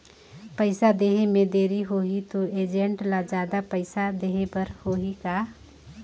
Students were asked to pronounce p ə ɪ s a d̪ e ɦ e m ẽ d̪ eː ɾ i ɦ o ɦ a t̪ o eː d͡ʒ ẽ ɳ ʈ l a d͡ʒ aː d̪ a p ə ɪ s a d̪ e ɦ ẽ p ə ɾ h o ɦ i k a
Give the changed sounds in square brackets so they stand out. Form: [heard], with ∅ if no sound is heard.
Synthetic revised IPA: p ə ɪ s a d̪ e ɦ e m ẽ d̪ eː ɾ i ɦ o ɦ [i] t̪ o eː d͡ʒ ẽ ɳ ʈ l a d͡ʒ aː d̪ a p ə ɪ s a d̪ e ɦ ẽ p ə ɾ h o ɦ i k a